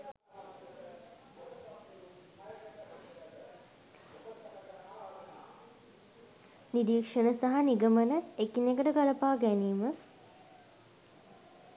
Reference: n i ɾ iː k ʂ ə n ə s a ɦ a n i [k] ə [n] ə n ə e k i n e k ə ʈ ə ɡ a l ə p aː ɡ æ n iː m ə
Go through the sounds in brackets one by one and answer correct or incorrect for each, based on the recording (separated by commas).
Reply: incorrect, incorrect